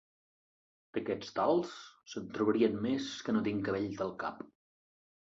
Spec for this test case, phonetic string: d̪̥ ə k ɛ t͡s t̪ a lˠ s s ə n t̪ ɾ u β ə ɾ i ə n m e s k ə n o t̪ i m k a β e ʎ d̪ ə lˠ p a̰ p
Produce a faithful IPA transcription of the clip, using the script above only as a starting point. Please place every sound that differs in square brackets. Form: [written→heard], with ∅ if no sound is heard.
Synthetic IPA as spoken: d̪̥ ə k ɛ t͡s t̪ a lˠ s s ə n t̪ ɾ u β ə ɾ i ə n m e s k ə n o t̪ i [m→ŋ] k [a→ə] β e ʎ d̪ ə lˠ [p→k] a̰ p